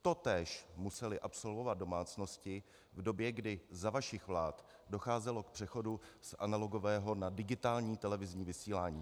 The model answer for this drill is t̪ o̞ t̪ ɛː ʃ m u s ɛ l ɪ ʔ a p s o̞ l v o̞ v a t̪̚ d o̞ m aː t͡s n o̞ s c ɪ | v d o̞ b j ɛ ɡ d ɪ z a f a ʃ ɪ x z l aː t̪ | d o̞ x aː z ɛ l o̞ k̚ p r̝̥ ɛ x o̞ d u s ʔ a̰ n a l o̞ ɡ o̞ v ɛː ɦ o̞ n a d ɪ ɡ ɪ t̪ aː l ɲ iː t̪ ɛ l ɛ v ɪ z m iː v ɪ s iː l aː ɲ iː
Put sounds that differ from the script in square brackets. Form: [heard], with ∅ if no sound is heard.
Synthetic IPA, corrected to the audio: t̪ o̞ t̪ ɛː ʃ m u s ɛ l ɪ ʔ a p s o̞ l v o̞ v a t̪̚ d o̞ m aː t͡s n o̞ s c ɪ | v d o̞ b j ɛ ɡ d ɪ z a [v] a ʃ ɪ x [v] l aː t̪ | d o̞ x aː z ɛ l o̞ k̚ p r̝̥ ɛ x o̞ d u s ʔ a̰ n a l o̞ ɡ o̞ v ɛː ɦ o̞ n a d ɪ ɡ ɪ t̪ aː l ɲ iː t̪ ɛ l ɛ v ɪ z [ɲ] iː v ɪ s iː l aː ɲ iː

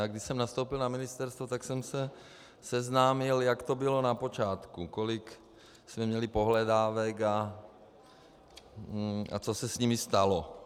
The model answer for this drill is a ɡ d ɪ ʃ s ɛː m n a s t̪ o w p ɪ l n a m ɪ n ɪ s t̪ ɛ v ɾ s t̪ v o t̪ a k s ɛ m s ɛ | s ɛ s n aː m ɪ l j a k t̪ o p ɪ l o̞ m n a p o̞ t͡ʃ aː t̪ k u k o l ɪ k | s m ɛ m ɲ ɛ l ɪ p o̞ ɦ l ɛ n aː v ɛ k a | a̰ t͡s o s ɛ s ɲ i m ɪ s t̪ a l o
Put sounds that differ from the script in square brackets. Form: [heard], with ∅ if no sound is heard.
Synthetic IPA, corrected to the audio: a ɡ d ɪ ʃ s [ɛ] m n a s t̪ o w p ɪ l n a m ɪ n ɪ s t̪ ɛ [∅] ɾ s t̪ v o t̪ a k s ɛ m s ɛ | s ɛ [z] n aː m ɪ l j a k t̪ o [b] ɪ l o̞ [∅] n a p o̞ t͡ʃ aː t̪ k u k o l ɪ k | s m ɛ m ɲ ɛ l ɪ p o̞ ɦ l ɛ [d] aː v ɛ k a | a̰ t͡s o s ɛ s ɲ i m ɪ s t̪ a l o

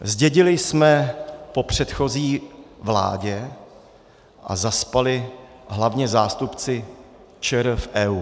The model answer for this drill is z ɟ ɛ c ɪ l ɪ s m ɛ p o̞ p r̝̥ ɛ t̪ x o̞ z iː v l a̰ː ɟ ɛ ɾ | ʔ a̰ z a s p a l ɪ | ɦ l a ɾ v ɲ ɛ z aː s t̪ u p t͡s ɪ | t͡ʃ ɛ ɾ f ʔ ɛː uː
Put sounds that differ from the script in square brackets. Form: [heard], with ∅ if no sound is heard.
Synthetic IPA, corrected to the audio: z ɟ ɛ [ɟ] ɪ l ɪ s m ɛ p o̞ p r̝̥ ɛ t̪ x o̞ z iː v l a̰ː ɟ ɛ [∅] | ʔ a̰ z a s p a l ɪ | ɦ l a [∅] v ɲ ɛ z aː s t̪ u p t͡s ɪ | t͡ʃ ɛ ɾ f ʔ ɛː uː

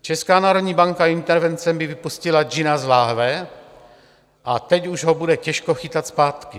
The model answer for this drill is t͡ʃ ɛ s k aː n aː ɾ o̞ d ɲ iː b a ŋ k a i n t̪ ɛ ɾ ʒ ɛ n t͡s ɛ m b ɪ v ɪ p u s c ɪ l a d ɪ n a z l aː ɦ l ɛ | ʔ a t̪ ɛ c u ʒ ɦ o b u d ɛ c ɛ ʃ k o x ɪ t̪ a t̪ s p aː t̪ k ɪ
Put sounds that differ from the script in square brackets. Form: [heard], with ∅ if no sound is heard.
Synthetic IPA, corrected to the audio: t͡ʃ ɛ s k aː n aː ɾ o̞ d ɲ iː b a ŋ k a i n t̪ ɛ ɾ [v] ɛ n t͡s ɛ m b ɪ v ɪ p u s c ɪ l a [d͡ʒ] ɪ n a z l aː ɦ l ɛ | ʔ a t̪ ɛ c u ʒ ɦ o b u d ɛ c ɛ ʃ k o x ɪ t̪ a t̪ s p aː t̪ k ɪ

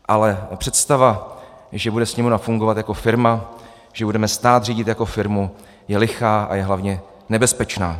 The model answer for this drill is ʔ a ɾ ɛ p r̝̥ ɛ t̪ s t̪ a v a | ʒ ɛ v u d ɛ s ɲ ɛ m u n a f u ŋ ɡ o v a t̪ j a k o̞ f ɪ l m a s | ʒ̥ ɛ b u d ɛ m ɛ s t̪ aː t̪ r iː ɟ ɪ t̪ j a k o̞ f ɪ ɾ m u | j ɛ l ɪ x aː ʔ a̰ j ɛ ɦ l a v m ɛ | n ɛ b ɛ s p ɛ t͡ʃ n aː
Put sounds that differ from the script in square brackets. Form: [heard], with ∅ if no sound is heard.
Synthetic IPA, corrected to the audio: ʔ a [l] ɛ p r̝̥ ɛ t̪ s t̪ a v a | ʒ ɛ [b] u d ɛ s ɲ ɛ m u n a f u ŋ ɡ o v a t̪ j a k o̞ f ɪ [ɾ] m a [∅] | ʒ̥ ɛ b u d ɛ m ɛ s t̪ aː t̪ r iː ɟ ɪ t̪ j a k o̞ f ɪ ɾ m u | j ɛ l ɪ x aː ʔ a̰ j ɛ ɦ l a v [ɲ] ɛ | n ɛ b ɛ s p ɛ t͡ʃ n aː

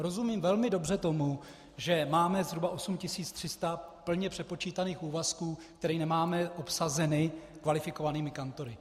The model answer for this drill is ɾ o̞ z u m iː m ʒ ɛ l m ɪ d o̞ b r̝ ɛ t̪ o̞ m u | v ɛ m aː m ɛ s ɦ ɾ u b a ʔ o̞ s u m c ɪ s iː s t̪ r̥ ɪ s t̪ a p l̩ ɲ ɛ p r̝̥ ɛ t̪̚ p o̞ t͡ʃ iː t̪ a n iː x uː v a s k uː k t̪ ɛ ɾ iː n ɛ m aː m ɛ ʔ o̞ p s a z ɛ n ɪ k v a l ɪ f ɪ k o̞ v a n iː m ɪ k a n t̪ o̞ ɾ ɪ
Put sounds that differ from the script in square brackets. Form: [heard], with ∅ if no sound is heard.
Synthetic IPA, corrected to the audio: ɾ o̞ z u m iː m [v] ɛ l m ɪ d o̞ b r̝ ɛ t̪ o̞ m u | [ʒ] ɛ m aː m ɛ [z] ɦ ɾ u b a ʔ o̞ s u m c ɪ s iː [t͡s] t̪ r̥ ɪ s t̪ a p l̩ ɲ ɛ p r̝̥ ɛ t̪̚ p o̞ t͡ʃ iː t̪ a n iː x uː v a s k uː k t̪ ɛ ɾ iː n ɛ m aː m ɛ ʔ o̞ p s a z ɛ n ɪ k v a l ɪ f ɪ k o̞ v a n iː m ɪ k a n t̪ o̞ ɾ ɪ

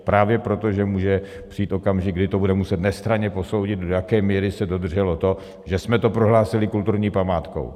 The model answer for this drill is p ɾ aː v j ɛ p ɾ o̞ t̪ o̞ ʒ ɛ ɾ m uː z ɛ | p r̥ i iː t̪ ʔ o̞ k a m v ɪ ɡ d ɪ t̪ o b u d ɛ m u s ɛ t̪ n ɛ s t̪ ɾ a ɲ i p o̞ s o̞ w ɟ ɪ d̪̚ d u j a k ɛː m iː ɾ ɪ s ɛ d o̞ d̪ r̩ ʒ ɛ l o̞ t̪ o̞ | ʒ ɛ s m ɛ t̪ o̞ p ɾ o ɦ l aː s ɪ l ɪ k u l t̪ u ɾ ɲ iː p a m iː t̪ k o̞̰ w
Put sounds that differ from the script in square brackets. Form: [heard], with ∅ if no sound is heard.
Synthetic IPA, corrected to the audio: p ɾ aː v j ɛ p ɾ o̞ t̪ o̞ ʒ ɛ [∅] m uː [ʒ] ɛ | p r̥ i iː t̪ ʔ o̞ k a m [ʒ] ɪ ɡ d ɪ t̪ o b u d ɛ m u s ɛ t̪ n ɛ s t̪ ɾ a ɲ [ɛ] p o̞ s o̞ w ɟ ɪ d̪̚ d [o] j a k ɛː m iː ɾ ɪ s ɛ d o̞ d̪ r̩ ʒ ɛ l o̞ t̪ o̞ | ʒ ɛ s m ɛ t̪ o̞ p ɾ o ɦ l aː s ɪ l ɪ k u l t̪ u ɾ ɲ iː p a m [aː] t̪ k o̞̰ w

